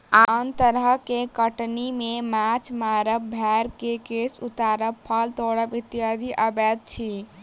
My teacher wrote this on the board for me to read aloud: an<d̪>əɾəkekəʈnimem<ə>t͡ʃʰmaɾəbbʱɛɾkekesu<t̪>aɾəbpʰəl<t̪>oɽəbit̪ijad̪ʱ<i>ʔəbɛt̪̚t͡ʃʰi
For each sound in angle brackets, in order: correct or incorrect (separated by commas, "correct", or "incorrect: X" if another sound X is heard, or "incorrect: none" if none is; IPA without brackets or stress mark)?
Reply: incorrect: t̪, incorrect: a, correct, correct, correct